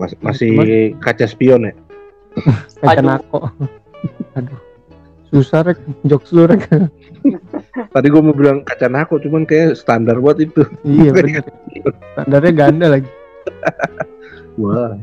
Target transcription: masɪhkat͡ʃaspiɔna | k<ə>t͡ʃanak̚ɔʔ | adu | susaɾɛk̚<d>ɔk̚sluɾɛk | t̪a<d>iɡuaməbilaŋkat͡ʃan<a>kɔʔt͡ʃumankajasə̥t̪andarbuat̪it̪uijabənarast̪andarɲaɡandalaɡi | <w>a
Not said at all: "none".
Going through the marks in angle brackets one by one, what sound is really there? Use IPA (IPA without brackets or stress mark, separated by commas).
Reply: a, d͡ʒ, d, a, w